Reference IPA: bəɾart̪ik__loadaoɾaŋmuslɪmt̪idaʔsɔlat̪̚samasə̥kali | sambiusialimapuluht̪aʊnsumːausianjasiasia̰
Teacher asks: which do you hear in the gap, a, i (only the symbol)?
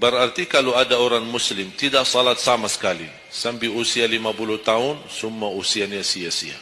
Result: a